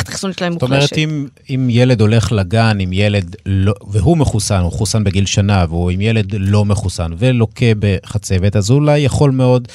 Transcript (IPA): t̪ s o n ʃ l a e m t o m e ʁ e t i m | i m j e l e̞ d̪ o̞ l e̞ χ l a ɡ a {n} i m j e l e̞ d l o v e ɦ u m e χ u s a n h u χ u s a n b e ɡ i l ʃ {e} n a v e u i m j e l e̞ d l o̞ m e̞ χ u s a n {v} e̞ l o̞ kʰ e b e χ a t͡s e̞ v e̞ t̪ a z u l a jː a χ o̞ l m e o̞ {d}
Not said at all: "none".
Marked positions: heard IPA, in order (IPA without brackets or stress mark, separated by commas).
n, a, v, d